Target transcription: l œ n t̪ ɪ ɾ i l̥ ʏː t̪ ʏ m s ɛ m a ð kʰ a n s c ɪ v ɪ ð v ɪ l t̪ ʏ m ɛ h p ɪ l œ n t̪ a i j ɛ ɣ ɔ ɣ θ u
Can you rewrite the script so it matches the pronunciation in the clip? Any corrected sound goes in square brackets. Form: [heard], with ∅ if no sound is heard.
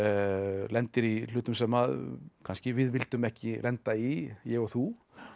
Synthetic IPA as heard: l [ɛ] n t̪ ɪ ɾ i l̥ ʏː t̪ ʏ m s ɛ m a ð kʰ a n s c ɪ v ɪ ð v ɪ l t̪ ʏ m ɛ h [c] ɪ l [ɛ] n t̪ a i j ɛ ɣ ɔ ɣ θ u